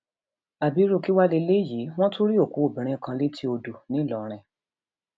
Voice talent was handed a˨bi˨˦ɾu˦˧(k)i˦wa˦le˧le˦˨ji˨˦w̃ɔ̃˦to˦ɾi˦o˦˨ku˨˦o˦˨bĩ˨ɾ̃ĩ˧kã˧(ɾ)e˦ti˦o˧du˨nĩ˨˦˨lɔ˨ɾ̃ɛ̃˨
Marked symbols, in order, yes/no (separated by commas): yes, no